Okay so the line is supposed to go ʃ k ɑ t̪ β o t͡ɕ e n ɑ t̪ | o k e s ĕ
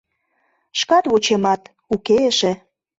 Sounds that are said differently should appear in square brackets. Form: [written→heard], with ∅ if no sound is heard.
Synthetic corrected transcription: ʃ k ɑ t̪ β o t͡ɕ e [n→m] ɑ t̪ | [o→u] k e [s→ʃ] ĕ

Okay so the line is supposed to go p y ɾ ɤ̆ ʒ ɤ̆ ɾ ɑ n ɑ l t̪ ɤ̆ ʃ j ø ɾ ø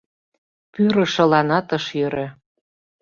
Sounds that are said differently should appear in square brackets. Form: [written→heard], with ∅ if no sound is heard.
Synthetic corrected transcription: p y ɾ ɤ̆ [ʒ→ʃ] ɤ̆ [ɾ→l] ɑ n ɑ [l→∅] t̪ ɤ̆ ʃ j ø ɾ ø

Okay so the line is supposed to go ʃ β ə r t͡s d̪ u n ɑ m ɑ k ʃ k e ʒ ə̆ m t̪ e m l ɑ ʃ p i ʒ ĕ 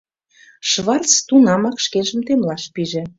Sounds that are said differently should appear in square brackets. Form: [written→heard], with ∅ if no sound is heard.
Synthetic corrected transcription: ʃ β [ə→ɑ] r t͡s [d̪→t̪] u n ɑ m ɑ k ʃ k e ʒ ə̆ m t̪ e m l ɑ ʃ p i ʒ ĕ

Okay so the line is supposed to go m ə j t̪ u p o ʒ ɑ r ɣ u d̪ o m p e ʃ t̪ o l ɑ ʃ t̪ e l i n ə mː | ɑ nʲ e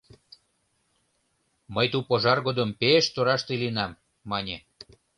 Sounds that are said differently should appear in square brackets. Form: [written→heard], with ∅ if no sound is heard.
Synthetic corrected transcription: m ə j t̪ u p o ʒ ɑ r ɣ [u→o] d̪ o m p e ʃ t̪ o [l→ɾ] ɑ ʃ t̪ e l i n [ə→ɑ] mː | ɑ nʲ e

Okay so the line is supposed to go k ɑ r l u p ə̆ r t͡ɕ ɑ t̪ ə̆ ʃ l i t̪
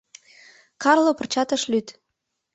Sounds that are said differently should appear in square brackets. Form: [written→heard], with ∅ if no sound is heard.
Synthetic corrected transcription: k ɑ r l [u→o] p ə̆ r t͡ɕ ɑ t̪ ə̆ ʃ l [i→y] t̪

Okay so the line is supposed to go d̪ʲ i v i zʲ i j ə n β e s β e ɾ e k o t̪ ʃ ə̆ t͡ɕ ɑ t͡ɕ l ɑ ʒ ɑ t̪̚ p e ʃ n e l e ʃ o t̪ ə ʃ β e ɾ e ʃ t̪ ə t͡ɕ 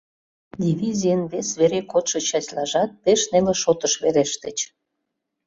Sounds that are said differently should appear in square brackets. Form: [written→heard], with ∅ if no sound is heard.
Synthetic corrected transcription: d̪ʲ i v i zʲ i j ə n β e s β e ɾ e k o t̪ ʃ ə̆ t͡ɕ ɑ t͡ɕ l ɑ ʒ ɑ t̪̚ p e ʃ n e l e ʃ o t̪ ə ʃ β e ɾ e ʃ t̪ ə t͡ɕ

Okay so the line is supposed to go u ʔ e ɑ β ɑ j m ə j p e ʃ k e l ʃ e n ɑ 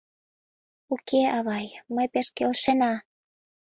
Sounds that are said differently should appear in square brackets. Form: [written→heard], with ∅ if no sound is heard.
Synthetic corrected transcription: u [ʔ→k] e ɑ β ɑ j m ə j p e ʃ k e l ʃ e n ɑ

